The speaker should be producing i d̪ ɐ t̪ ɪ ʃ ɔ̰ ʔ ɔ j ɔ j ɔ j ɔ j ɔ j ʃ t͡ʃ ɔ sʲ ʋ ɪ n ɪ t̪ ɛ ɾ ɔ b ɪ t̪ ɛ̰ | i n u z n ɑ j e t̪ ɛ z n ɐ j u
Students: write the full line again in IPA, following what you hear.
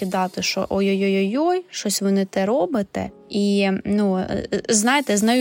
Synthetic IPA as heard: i d̪ ɑ t̪ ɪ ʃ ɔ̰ ʔ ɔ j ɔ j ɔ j ɔ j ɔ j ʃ t͡ʃ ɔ sʲ ʋ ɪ n ɪ t̪ ɛ ɾ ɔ b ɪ t̪ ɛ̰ | i n u z n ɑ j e t̪ ɛ z n ɐ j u